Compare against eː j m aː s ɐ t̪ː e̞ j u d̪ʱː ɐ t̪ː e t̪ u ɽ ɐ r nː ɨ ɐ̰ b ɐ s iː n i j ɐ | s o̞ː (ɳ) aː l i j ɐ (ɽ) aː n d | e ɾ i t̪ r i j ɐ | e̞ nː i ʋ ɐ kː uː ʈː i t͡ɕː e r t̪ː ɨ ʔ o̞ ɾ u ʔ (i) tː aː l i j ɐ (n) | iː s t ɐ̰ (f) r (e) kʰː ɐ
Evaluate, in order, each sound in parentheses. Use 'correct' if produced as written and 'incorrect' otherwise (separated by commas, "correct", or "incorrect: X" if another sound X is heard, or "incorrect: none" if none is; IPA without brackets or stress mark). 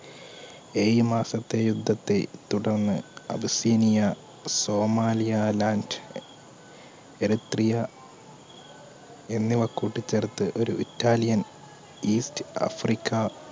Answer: incorrect: m, incorrect: l, correct, correct, correct, incorrect: i